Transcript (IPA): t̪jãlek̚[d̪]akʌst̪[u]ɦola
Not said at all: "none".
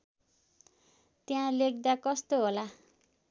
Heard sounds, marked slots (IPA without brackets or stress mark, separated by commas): d̪, o